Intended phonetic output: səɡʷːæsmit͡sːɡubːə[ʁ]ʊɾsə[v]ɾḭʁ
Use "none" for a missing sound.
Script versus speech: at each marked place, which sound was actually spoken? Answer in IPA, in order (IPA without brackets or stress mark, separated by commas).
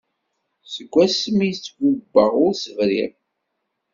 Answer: ʁ, v